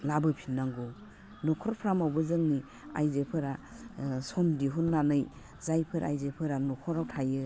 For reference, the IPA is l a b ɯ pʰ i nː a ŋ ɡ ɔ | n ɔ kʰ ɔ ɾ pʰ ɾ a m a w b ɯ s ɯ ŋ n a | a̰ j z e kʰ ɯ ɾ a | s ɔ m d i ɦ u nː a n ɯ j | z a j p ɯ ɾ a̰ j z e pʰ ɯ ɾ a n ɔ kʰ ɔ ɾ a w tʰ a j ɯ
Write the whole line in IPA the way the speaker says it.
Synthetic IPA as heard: l a b ɯ pʰ i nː a ŋ ɡ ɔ | n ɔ kʰ ɔ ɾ pʰ ɾ a m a w b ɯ z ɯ ŋ n i | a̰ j z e pʰ ɯ ɾ a | s ɔ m d i ɦ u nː a n ɯ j | z a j pʰ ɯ ɾ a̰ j z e pʰ ɯ ɾ a n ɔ kʰ ɔ ɾ a w tʰ a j ɯ